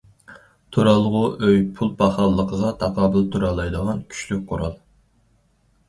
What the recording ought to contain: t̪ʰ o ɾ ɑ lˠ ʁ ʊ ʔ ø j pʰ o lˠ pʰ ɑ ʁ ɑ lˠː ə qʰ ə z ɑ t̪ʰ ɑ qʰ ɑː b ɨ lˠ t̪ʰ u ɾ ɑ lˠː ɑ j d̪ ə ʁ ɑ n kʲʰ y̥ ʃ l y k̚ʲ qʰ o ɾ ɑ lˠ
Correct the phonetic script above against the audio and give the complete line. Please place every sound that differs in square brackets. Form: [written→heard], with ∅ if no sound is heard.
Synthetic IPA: t̪ʰ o ɾ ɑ lˠ ʁ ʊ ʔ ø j pʰ [o→u] lˠ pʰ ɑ [ʁ→χ] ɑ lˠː ə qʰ ə [z→ʁ] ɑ t̪ʰ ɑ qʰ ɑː b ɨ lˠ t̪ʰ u ɾ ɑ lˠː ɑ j d̪ ə ʁ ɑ n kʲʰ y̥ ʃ l y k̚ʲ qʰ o ɾ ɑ lˠ